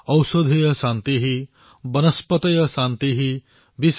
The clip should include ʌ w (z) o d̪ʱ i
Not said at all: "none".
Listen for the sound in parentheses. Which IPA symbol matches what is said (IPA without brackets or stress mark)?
s